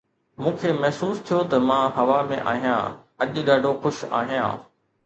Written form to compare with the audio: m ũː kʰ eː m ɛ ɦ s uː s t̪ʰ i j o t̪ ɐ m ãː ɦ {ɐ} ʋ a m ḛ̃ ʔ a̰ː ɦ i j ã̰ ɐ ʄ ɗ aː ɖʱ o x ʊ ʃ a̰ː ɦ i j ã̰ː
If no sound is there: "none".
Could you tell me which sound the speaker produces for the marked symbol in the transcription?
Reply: ɐ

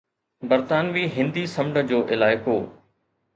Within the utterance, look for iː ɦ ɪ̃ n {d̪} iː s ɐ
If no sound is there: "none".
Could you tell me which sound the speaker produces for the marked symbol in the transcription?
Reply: d̪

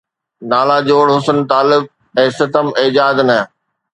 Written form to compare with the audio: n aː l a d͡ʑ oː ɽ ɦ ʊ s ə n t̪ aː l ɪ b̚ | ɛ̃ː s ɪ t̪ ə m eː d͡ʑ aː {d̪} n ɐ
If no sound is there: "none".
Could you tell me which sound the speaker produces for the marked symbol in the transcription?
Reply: d̪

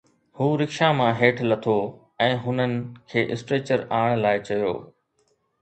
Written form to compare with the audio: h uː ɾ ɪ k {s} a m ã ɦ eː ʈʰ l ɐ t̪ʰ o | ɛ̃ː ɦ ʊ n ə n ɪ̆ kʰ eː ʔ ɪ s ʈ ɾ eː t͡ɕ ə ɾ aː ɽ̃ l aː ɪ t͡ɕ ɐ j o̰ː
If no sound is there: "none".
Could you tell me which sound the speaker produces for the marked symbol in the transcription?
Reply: ʃ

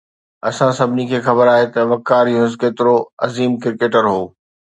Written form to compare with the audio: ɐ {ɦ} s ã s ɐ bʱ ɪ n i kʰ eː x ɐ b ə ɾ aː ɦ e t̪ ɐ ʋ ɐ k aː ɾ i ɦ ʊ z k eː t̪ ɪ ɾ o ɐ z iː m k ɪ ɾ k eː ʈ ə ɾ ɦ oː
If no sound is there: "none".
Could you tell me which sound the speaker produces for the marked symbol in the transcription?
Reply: none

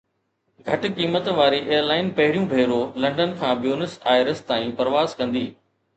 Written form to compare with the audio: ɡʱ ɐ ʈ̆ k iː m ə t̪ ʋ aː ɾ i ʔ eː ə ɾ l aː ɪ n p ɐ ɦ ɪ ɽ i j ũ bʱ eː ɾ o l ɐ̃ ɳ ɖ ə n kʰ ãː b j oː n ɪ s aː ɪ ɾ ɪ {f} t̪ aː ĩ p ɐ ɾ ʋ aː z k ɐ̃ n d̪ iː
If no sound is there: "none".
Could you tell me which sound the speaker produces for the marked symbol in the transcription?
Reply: s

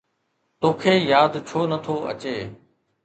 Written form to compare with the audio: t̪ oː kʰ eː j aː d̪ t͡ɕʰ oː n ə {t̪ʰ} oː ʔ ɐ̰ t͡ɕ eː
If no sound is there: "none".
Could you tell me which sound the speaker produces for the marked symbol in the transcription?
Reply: t̪ʰ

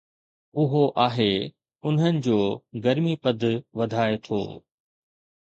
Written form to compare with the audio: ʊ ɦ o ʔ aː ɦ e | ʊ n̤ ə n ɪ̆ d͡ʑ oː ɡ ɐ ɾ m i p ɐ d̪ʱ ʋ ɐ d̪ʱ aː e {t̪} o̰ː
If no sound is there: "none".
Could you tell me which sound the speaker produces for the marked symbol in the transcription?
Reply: t̪ʰ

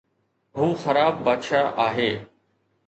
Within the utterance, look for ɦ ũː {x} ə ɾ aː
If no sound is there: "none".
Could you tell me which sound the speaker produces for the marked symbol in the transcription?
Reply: x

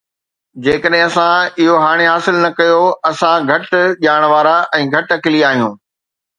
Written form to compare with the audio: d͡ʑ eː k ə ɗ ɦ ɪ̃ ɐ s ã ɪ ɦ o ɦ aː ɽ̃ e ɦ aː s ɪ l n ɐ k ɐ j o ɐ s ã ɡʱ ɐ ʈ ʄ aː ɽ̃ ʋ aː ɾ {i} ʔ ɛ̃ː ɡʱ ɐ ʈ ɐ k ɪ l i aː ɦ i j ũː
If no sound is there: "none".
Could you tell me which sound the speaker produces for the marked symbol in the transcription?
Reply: a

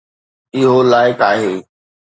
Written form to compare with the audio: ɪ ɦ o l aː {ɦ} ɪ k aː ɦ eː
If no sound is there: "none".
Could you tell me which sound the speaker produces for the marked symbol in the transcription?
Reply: none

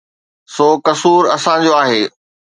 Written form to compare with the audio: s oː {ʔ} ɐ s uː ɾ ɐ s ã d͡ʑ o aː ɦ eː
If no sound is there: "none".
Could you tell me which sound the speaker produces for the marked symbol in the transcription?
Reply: k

